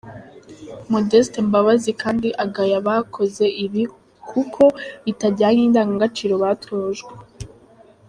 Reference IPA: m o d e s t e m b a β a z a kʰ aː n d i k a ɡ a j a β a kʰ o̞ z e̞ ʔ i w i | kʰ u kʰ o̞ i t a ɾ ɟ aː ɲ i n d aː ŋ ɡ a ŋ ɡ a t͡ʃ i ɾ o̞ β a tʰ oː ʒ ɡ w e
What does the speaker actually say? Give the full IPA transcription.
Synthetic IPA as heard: m o d e s t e m b a β a z i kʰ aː n d i ʔ a ɡ a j a β a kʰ o̞ z e̞ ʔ i β i | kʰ u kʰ o̞ i t a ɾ ɟ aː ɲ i n d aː ŋ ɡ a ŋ ɡ a t͡ʃ i ɾ o̞ β a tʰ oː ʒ ɡ w e